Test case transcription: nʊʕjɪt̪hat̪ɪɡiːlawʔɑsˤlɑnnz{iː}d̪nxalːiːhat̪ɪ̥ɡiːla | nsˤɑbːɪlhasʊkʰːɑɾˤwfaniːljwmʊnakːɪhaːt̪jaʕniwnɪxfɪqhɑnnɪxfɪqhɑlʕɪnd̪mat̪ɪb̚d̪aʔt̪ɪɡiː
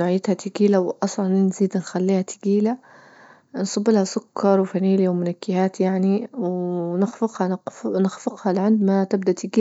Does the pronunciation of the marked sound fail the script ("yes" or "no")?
no